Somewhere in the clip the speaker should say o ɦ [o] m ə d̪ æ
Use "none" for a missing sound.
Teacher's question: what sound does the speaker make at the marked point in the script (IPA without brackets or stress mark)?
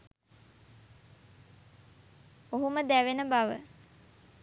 u